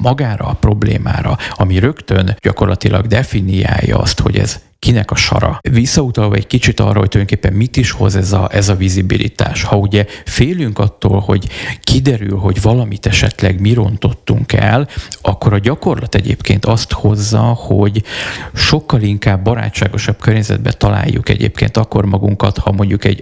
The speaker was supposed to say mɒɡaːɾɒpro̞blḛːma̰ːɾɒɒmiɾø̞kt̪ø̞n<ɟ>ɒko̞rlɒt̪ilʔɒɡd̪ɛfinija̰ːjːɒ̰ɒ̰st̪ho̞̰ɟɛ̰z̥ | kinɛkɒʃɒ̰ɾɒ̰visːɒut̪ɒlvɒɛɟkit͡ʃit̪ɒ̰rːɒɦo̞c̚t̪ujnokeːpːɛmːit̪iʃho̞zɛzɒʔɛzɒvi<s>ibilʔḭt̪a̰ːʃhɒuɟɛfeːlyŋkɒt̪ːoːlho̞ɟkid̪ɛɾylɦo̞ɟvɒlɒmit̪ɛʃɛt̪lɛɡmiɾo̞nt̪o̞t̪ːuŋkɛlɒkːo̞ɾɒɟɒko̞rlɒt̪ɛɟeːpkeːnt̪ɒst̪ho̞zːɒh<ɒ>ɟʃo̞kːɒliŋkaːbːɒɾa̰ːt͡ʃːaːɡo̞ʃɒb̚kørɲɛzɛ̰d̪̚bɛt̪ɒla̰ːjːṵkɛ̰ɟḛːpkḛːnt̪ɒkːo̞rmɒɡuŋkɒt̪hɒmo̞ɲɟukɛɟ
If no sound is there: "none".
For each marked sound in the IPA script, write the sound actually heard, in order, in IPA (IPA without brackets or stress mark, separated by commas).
ɟ, z, o